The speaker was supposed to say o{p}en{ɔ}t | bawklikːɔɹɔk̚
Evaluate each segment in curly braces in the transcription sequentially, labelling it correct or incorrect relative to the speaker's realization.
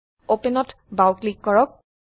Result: correct, correct

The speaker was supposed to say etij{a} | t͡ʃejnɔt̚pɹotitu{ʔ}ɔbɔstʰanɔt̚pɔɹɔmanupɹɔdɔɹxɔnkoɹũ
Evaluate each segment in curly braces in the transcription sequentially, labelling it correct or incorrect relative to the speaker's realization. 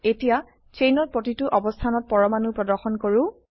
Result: correct, correct

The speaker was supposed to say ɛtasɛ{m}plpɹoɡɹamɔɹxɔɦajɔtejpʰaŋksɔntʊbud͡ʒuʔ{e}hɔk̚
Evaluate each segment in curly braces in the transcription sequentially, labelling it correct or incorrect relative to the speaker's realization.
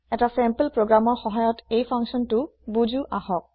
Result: correct, incorrect

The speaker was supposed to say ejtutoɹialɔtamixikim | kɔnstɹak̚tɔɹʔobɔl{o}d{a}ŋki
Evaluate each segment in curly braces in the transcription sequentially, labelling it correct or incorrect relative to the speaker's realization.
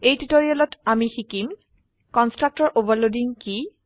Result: correct, incorrect

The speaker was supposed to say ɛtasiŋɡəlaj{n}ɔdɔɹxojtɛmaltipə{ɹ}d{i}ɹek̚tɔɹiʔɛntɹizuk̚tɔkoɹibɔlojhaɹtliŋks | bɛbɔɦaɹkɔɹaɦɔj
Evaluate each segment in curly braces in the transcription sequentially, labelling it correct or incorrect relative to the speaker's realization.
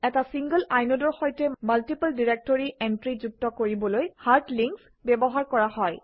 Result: correct, incorrect, correct

